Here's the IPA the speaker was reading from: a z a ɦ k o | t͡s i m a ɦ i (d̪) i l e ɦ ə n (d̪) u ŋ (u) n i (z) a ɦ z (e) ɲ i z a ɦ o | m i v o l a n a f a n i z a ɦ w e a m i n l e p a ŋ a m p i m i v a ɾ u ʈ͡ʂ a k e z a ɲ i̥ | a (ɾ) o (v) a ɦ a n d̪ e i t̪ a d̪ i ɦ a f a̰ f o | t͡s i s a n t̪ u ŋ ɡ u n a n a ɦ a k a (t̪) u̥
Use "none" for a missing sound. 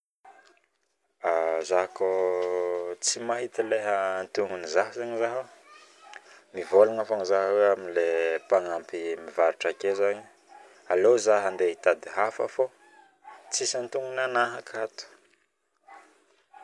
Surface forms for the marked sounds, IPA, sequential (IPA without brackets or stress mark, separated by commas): t̪, t̪, u, z, a, l, z, t̪